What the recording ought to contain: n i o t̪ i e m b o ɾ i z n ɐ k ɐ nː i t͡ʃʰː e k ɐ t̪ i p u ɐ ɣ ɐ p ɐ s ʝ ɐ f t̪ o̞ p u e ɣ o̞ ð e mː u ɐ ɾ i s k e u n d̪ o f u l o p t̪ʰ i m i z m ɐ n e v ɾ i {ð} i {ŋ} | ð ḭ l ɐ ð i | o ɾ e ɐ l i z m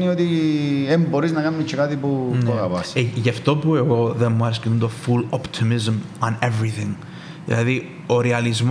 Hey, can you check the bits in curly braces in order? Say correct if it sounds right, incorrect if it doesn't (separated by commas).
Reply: incorrect, correct